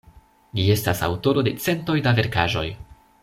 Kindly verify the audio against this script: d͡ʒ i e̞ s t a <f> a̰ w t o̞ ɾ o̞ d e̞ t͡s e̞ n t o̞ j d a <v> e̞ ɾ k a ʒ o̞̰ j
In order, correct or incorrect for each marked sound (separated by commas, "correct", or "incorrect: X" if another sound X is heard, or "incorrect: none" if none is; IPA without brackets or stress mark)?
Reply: incorrect: s, correct